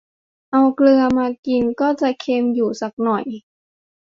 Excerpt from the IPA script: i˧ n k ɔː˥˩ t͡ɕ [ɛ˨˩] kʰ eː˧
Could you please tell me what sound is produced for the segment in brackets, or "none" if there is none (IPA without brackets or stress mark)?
a˨˩